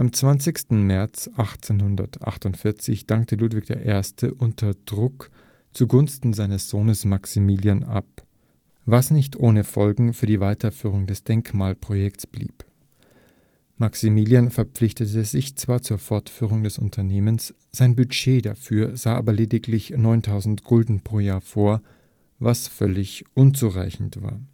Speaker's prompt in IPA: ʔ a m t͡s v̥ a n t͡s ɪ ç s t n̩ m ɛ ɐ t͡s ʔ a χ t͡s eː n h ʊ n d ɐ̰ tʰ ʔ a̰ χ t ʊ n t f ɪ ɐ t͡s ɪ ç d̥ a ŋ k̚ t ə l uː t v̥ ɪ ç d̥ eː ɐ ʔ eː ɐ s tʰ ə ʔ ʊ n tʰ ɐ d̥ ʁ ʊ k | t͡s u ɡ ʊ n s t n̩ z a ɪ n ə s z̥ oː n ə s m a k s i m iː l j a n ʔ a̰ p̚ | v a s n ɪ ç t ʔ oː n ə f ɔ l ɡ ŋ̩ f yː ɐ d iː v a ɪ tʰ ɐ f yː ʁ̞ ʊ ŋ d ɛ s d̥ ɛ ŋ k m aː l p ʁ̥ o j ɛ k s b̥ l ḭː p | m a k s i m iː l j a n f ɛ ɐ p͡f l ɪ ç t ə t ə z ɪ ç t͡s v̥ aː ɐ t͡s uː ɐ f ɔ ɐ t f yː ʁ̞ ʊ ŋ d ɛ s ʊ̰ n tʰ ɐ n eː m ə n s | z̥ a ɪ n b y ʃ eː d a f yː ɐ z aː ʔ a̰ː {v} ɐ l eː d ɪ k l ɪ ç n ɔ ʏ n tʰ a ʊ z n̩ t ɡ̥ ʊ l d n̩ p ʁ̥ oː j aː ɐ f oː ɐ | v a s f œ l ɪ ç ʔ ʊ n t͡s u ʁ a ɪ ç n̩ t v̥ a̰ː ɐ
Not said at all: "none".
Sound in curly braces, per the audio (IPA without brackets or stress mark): b